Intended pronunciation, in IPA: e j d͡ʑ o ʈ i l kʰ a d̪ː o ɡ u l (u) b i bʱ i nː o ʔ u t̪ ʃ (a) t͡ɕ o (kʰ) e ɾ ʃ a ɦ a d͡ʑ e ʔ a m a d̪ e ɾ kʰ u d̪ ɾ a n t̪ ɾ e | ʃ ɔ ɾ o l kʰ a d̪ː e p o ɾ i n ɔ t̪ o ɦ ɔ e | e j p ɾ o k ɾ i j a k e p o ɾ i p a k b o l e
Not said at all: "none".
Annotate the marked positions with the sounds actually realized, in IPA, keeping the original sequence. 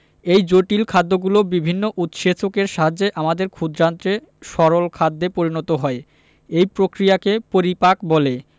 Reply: o, e, k

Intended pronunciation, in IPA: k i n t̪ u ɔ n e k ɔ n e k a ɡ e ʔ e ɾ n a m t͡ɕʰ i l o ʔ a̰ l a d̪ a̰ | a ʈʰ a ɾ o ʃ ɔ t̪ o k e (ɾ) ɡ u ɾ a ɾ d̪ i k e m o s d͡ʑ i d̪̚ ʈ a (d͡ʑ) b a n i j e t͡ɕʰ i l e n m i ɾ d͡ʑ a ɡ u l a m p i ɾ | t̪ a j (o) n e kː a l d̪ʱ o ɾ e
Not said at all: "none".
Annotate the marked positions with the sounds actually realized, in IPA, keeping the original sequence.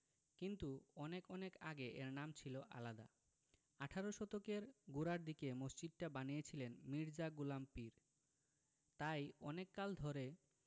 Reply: ɾ, none, ɔ

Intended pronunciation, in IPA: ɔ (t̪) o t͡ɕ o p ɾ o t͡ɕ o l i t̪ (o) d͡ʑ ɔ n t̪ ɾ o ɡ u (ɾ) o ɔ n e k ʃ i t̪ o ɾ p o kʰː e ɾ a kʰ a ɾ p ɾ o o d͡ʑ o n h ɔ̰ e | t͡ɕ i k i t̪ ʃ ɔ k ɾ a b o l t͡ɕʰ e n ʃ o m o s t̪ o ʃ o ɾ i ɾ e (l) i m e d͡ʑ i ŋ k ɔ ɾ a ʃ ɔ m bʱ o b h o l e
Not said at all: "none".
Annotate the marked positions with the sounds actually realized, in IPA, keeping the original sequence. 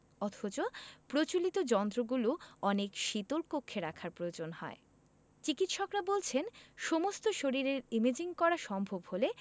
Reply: t̪ʰ, o, l, ɾ

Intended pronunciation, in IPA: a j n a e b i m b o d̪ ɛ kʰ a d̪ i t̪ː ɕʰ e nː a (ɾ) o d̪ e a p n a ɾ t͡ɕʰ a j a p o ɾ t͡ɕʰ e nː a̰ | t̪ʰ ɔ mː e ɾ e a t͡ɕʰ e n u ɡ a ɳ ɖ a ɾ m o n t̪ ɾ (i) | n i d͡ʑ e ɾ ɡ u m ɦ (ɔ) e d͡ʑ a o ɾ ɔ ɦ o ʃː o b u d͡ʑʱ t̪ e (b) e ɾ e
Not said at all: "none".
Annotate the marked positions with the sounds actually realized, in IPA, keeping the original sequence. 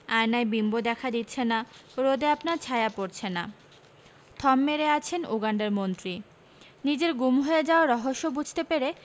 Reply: ɾ, i, o, p

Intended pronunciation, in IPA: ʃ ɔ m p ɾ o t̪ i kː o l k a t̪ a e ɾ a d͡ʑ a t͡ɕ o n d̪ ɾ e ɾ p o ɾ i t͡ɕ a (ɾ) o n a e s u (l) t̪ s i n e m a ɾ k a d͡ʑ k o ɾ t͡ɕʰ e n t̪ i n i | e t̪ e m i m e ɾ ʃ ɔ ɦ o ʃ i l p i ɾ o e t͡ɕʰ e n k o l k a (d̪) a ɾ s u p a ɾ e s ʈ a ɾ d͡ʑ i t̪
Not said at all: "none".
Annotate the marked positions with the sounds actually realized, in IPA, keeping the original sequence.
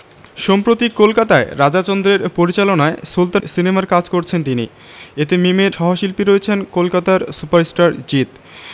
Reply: l, l, t̪

